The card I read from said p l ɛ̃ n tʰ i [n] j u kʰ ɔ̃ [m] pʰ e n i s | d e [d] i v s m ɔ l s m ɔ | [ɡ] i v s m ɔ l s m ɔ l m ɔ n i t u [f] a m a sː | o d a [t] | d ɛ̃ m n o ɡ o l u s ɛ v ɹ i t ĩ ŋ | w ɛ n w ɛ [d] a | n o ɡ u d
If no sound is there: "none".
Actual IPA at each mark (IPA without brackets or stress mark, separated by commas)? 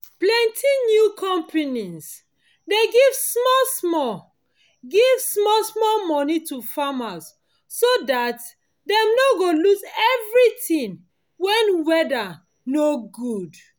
n, m, ɡ, ɡ, f, t, d